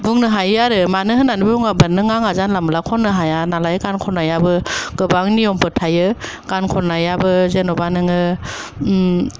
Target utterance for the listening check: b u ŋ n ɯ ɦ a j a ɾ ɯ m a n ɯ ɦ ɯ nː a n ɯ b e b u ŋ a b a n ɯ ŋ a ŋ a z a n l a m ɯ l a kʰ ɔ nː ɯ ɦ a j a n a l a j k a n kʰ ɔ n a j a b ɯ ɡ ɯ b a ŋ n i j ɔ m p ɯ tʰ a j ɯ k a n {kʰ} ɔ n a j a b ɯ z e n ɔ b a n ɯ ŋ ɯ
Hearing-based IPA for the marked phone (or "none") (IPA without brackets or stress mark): kʰ